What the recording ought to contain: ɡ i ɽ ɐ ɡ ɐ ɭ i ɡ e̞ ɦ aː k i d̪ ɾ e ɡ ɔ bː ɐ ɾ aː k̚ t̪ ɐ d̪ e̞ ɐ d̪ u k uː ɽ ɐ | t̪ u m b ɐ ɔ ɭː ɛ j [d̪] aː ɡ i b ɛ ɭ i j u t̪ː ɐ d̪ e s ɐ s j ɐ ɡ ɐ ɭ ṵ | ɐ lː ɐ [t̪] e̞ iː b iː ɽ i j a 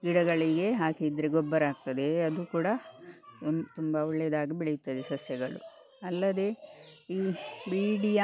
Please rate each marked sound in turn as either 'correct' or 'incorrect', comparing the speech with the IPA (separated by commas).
correct, incorrect